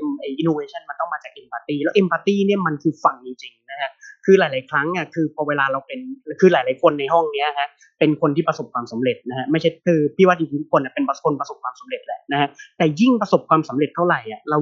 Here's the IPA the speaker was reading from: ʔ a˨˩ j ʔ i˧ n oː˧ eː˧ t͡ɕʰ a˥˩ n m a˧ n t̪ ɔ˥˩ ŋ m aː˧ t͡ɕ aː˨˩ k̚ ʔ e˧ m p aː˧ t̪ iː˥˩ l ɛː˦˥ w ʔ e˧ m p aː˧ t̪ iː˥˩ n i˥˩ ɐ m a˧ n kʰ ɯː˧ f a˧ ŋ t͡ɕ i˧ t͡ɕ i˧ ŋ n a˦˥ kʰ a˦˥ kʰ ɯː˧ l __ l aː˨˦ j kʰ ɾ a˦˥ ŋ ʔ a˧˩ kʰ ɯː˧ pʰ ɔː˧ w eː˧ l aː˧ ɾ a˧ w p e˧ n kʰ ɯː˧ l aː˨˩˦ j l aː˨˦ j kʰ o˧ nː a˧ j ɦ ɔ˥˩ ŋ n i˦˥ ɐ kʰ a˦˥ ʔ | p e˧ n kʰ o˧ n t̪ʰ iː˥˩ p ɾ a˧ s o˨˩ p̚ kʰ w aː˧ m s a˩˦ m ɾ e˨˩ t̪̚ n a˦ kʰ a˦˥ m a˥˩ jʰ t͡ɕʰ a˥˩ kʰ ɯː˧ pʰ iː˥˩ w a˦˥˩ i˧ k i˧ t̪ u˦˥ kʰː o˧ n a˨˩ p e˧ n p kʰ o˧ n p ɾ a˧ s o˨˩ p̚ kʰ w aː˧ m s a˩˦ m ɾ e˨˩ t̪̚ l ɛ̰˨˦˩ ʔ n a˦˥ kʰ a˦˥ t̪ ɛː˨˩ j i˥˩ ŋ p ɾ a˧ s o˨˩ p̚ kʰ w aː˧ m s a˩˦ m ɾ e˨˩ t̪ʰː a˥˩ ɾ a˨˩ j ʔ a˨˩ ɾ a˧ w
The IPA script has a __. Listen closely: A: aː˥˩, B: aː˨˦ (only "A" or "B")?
B